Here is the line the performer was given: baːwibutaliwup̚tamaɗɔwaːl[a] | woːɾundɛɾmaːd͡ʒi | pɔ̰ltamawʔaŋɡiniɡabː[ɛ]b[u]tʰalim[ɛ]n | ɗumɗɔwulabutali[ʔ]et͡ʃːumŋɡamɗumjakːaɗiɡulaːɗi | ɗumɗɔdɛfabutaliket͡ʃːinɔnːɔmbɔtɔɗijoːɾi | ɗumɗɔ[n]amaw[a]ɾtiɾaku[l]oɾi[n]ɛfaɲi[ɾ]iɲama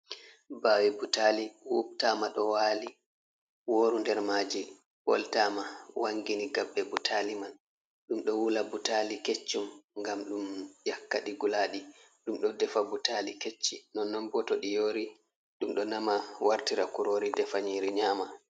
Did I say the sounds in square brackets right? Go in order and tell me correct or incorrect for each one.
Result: incorrect, correct, correct, incorrect, incorrect, correct, correct, incorrect, incorrect, correct

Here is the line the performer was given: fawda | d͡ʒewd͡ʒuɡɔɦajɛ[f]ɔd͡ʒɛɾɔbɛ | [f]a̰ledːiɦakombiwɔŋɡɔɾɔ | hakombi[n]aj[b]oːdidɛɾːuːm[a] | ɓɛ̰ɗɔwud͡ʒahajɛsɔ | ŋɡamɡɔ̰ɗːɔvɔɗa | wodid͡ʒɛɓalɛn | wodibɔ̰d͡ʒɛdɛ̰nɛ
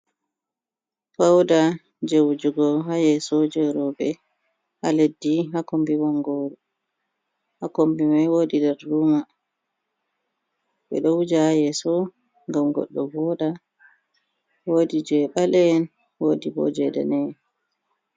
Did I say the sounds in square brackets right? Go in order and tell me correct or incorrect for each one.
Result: incorrect, incorrect, incorrect, incorrect, correct

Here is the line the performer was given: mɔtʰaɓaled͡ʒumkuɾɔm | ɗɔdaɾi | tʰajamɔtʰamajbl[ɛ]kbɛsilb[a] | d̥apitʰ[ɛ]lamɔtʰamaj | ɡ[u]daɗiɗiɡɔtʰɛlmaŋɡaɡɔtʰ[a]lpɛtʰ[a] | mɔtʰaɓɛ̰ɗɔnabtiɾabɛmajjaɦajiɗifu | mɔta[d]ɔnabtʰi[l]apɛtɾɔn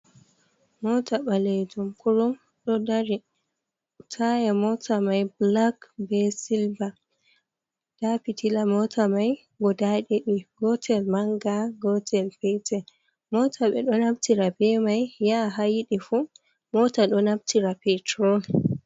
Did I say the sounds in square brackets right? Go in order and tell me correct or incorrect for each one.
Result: incorrect, correct, incorrect, incorrect, incorrect, incorrect, incorrect, incorrect

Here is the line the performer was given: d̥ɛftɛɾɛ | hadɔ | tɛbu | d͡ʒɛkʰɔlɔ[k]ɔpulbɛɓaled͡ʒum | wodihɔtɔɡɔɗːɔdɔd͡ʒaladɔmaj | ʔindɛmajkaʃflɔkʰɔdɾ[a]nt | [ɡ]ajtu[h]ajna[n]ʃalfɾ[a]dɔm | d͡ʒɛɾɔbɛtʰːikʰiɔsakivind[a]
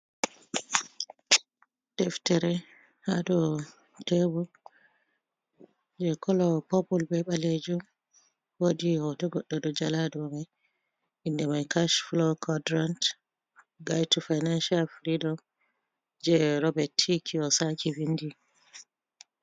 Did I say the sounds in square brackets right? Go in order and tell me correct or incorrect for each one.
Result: incorrect, correct, correct, incorrect, correct, incorrect, incorrect

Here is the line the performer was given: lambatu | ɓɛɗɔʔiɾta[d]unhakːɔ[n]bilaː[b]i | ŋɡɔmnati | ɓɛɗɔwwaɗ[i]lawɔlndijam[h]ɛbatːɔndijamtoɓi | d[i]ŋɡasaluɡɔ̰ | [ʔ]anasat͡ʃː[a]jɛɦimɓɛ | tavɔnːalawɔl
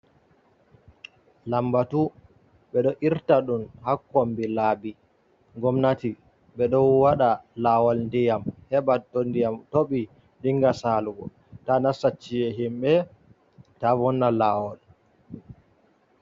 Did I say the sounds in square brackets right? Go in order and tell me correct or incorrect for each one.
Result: incorrect, incorrect, correct, incorrect, correct, correct, incorrect, incorrect

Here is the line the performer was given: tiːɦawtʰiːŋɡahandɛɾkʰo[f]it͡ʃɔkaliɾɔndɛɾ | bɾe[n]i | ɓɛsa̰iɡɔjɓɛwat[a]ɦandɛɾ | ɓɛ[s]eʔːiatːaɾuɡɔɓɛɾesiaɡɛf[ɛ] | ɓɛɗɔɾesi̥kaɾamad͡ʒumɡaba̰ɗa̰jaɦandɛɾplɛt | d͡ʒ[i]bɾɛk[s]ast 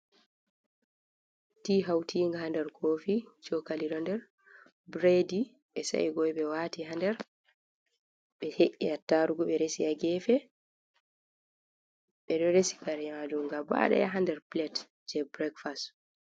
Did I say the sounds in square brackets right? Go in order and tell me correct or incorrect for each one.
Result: correct, incorrect, incorrect, incorrect, correct, incorrect, incorrect

